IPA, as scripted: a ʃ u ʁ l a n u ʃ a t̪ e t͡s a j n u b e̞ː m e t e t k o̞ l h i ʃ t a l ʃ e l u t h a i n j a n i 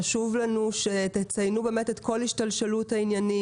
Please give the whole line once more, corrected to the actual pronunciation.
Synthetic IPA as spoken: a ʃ u v l a n u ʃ e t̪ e t͡s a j n u b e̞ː m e t e t k o̞ l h i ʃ t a l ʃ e l u t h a i n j a n i